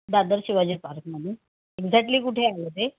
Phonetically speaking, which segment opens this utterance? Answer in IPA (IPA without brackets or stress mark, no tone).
d̪